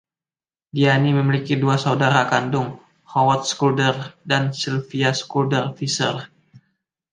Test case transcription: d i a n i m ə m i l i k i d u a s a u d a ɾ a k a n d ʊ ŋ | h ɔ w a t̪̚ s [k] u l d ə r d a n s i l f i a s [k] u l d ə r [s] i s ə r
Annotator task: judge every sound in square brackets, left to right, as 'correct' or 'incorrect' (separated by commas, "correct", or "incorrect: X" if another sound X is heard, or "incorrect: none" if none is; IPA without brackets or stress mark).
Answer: correct, correct, incorrect: f